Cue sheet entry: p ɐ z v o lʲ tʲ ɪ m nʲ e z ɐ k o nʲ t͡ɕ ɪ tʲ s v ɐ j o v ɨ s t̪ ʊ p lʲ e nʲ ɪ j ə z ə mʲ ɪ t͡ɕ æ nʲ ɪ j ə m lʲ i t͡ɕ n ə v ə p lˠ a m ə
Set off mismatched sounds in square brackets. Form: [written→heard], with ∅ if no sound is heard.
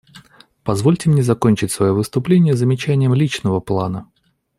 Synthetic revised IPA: p ɐ z v o lʲ tʲ ɪ m nʲ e z ɐ k o nʲ t͡ɕ ɪ tʲ s v ɐ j o v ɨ s t̪ ʊ p lʲ e nʲ ɪ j ə z ə mʲ ɪ t͡ɕ æ nʲ ɪ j ə m lʲ i t͡ɕ n ə v ə p lˠ a [m→n] ə